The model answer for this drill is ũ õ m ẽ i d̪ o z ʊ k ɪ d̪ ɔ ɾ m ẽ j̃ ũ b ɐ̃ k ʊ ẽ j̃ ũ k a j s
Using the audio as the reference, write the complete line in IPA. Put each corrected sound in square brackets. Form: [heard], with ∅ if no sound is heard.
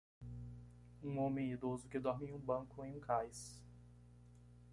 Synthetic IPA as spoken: ũ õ m ẽ i d̪ o z ʊ k ɪ d̪ ɔ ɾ m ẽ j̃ ũ b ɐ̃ k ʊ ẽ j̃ ũ k a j s